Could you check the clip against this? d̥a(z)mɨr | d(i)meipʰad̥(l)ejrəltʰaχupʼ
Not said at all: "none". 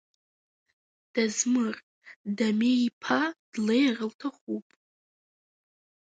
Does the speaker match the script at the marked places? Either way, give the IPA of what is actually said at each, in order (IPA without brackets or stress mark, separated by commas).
z, a, l